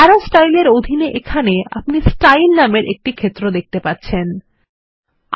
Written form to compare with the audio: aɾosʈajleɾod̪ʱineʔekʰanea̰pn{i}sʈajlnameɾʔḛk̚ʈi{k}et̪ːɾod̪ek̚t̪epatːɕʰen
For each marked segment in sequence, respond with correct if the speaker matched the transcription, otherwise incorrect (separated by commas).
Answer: correct, incorrect